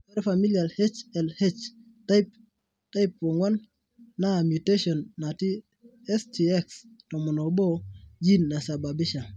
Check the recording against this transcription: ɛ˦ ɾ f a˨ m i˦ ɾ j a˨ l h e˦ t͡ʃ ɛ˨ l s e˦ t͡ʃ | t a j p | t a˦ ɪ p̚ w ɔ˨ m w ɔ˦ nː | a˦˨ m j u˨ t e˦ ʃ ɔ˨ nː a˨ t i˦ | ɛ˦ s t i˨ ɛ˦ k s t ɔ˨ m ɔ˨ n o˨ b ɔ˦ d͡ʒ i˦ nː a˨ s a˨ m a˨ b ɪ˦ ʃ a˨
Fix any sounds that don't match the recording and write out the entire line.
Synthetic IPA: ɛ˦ ɾ f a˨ m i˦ l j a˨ l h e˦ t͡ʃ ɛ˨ l h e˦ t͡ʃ | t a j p | t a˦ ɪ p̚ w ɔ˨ ŋ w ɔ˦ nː | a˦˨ m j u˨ t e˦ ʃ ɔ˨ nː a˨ t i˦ | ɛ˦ s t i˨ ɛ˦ k s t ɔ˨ m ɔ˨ n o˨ b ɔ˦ d͡ʒ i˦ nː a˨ s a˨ b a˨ b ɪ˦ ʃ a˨